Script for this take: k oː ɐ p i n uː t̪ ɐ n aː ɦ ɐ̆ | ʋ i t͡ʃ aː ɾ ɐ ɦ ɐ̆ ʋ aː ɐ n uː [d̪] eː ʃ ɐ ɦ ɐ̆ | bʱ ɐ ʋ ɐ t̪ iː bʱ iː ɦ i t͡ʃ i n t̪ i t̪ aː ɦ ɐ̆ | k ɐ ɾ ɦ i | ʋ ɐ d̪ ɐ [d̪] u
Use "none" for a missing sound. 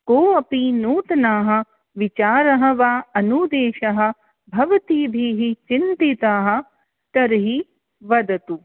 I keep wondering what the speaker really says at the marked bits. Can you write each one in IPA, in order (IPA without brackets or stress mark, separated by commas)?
d̪, t̪